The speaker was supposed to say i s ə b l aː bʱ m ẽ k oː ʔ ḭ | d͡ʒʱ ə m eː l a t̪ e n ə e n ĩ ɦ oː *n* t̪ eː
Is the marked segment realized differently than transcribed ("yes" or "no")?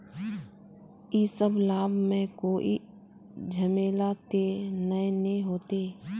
yes